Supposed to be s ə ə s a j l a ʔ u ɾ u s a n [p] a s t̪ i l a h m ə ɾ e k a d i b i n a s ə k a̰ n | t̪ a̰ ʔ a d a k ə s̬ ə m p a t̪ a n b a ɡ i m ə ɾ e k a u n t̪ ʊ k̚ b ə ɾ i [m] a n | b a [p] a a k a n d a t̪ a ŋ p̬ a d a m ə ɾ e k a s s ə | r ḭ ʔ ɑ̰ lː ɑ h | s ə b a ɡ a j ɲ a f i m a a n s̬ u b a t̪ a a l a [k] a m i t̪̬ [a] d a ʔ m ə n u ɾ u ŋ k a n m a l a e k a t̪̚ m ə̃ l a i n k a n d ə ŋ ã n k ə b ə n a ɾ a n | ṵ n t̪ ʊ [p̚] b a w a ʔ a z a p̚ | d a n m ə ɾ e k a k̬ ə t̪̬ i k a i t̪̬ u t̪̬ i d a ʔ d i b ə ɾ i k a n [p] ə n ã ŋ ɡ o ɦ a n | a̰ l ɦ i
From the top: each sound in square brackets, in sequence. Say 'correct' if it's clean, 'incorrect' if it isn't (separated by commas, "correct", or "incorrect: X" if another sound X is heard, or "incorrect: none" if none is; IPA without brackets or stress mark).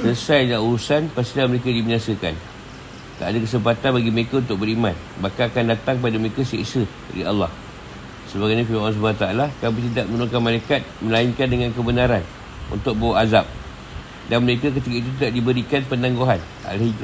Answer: correct, correct, incorrect: k, correct, incorrect: i, incorrect: k̚, correct